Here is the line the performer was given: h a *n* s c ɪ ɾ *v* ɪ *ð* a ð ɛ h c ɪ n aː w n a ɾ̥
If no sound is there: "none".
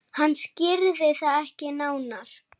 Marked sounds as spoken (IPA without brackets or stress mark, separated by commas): nː, ð, θ